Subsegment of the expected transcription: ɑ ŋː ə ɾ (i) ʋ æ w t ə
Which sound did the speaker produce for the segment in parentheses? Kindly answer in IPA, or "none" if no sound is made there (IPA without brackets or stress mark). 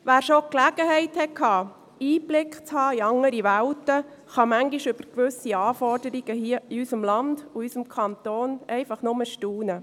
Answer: i